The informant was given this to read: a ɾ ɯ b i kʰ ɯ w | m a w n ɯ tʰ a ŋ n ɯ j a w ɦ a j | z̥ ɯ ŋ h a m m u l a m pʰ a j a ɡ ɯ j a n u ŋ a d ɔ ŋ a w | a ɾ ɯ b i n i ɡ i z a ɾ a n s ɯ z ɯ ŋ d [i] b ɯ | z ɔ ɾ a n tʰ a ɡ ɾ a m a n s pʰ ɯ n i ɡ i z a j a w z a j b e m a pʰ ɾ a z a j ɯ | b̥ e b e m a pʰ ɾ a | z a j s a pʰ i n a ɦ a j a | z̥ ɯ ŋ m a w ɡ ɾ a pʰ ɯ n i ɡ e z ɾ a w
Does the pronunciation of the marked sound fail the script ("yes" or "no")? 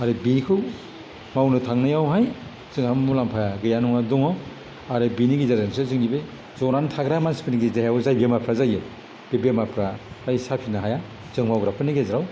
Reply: no